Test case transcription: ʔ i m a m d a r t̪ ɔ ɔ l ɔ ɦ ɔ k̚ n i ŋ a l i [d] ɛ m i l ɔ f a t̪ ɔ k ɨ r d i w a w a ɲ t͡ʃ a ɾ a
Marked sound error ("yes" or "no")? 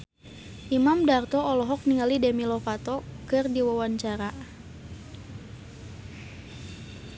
no